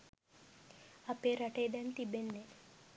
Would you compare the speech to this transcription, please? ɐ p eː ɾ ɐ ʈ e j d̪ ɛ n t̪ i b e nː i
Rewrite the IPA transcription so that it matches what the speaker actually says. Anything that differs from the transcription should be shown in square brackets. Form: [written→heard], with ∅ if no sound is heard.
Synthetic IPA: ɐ p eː ɾ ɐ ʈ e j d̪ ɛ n t̪ i b e nː [i→e]